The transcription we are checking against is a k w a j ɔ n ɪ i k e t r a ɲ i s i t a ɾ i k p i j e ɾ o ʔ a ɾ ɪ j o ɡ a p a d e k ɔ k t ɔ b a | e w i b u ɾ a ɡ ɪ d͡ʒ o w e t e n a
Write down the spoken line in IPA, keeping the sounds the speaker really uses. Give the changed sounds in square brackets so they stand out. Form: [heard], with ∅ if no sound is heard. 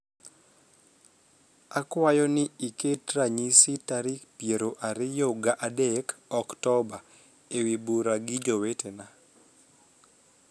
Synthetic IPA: a k w a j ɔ n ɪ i k e t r a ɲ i s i t a ɾ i k p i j e ɾ o ʔ a ɾ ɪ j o ɡ a [ʔ] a d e k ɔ k t ɔ b a | e w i b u ɾ a ɡ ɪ d͡ʒ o w e t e n a

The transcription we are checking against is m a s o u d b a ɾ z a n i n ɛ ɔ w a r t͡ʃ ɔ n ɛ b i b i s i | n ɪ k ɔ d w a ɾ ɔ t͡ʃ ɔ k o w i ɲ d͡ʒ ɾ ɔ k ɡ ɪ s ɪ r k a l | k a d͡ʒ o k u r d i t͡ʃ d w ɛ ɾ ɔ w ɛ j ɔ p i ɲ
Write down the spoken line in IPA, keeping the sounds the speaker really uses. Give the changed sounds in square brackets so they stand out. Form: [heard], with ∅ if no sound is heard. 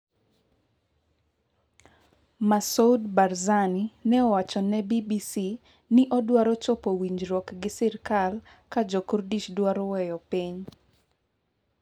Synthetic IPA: m a s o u d b a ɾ z a n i n ɛ ɔ w a [∅] t͡ʃ ɔ n ɛ b i b i s i | n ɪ [ʔ] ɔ d w a ɾ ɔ t͡ʃ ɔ [p] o w i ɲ d͡ʒ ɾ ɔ k ɡ ɪ s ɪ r k a l | k a d͡ʒ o k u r d i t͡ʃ d w [a] ɾ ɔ w ɛ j ɔ p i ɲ

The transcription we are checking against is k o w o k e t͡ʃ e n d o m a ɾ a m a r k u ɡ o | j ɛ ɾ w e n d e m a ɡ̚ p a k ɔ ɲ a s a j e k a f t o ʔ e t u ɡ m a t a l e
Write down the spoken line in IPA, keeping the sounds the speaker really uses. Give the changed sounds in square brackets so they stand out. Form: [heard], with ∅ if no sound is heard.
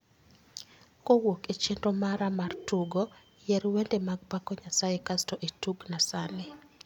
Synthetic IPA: k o w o k e t͡ʃ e n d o m a ɾ a m a r [t] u ɡ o | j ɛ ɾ w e n d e m a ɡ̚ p a k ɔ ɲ a s a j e k a [s] t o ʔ e t u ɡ [n] a [s] a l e

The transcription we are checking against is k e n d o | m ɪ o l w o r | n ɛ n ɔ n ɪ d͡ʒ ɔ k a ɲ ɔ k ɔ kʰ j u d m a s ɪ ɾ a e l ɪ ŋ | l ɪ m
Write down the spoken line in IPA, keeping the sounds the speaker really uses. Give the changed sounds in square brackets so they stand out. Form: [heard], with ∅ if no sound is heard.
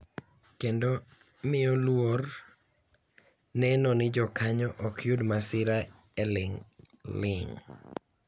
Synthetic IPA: k e n d o | m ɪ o l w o r | n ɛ n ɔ n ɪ d͡ʒ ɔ k a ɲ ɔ [ʔ] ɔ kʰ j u d m a s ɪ ɾ a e l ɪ ŋ | l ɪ [ŋ]

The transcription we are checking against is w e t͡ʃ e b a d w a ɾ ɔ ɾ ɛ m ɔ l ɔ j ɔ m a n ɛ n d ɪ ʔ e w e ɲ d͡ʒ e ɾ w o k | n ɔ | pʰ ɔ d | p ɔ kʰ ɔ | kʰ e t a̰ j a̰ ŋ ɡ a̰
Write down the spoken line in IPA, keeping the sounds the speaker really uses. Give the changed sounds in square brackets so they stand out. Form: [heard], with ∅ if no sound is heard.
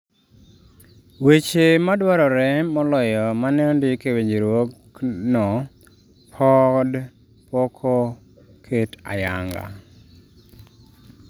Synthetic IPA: w e t͡ʃ e [m] a d w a ɾ ɔ ɾ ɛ m ɔ l ɔ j ɔ m a n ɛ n d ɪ [k] e w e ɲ d͡ʒ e ɾ w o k | n ɔ | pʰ ɔ d | p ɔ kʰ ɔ | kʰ e t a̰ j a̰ ŋ ɡ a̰

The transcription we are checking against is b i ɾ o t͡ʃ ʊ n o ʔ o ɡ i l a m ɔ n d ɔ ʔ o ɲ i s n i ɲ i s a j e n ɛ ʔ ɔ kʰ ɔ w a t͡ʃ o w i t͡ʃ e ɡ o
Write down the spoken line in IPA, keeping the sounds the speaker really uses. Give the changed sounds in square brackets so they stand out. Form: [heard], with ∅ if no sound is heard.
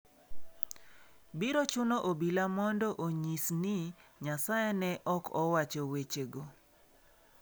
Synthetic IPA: b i ɾ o t͡ʃ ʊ n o ʔ o [b] i l a m ɔ n d ɔ ʔ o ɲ i s n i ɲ [a] s a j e n ɛ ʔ ɔ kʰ ɔ w a t͡ʃ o w [e] t͡ʃ e ɡ o

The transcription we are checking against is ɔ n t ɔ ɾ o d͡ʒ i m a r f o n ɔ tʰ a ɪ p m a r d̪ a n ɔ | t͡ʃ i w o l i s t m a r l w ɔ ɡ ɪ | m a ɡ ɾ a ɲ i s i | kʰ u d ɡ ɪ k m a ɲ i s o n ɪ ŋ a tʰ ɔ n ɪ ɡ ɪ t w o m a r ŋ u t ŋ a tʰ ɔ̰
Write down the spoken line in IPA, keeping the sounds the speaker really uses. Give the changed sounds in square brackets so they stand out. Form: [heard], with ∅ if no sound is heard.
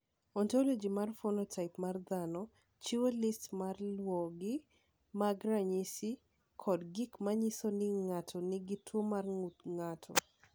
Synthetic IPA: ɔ n t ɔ [l] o d͡ʒ i m a r f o n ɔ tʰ a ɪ p m a r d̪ a n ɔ | t͡ʃ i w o l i s t m a r l w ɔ ɡ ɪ | m a ɡ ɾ a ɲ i s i | kʰ [ɔ] d ɡ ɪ k m a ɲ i s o n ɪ ŋ a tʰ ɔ n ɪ ɡ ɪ t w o m a r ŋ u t ŋ a tʰ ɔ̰

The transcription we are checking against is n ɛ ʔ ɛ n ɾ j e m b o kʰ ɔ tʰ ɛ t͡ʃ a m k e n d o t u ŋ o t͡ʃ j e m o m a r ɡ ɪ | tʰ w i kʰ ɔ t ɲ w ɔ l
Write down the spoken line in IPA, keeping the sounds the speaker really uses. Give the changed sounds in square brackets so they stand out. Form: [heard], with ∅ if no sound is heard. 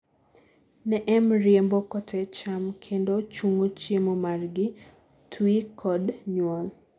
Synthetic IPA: n ɛ ʔ ɛ [m] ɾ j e m b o [k] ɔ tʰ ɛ t͡ʃ a m [kʰ] e n d o [t͡ʃ] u ŋ o t͡ʃ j e m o m a r ɡ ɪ | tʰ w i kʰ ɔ [d] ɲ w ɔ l

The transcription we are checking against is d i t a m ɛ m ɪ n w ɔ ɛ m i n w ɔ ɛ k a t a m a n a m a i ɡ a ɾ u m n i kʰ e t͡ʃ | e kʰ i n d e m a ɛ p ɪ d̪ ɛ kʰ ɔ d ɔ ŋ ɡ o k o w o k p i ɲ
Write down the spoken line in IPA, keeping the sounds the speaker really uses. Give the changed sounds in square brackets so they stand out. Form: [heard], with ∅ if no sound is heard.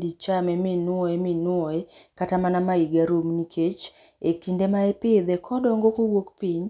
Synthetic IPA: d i [t͡ʃ] a m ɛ m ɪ n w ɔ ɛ m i n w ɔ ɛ k a t a m a n a m a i ɡ a ɾ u m n i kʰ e t͡ʃ | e [k] i n d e m a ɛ p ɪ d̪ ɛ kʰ ɔ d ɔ ŋ ɡ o k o w o k p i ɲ

